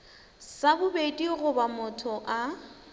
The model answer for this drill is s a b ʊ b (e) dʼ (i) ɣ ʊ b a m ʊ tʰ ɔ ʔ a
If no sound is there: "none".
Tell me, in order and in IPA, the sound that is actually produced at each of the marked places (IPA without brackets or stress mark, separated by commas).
e, i